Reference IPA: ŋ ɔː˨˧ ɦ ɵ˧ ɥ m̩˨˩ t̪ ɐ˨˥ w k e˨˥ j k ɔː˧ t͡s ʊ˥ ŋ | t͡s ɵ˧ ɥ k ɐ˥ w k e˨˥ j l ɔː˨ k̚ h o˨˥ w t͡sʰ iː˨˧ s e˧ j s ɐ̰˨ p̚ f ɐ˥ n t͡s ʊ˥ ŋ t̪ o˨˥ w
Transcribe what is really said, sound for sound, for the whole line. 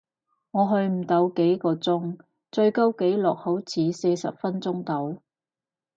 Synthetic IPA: ŋ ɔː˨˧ ɦ ɵ˧ ɥ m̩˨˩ t̪ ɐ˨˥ w k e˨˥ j k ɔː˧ t͡s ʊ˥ ŋ | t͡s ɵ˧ ɥ k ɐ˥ w k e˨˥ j l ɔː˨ k̚ h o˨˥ w t͡sʰ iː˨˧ s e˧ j s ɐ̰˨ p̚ f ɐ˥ n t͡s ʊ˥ ŋ t̪ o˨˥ w